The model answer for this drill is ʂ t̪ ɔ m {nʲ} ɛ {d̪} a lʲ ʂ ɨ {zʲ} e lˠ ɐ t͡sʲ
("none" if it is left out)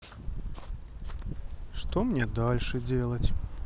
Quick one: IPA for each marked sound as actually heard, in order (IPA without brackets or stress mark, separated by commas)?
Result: nʲ, d̪, d͡zʲ